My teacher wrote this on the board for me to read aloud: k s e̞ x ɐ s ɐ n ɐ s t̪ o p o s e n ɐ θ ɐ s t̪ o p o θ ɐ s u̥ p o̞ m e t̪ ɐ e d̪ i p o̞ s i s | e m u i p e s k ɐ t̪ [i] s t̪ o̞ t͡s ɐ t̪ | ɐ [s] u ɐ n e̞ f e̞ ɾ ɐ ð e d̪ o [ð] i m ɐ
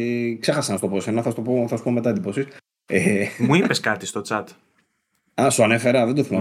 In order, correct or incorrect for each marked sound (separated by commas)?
correct, correct, incorrect